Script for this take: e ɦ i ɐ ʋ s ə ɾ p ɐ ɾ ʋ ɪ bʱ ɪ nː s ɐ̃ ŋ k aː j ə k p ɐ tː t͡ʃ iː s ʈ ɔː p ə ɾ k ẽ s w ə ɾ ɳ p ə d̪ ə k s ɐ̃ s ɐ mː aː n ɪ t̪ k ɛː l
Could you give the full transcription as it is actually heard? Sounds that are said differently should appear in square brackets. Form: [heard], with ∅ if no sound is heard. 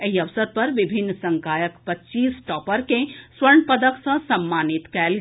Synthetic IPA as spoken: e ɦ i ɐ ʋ s ə ɾ p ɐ ɾ ʋ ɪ bʱ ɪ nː s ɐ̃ ŋ k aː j ə k p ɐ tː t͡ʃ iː s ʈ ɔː p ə ɾ k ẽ s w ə ɾ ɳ p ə d̪ ə k s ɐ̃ s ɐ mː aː n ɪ t̪ k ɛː l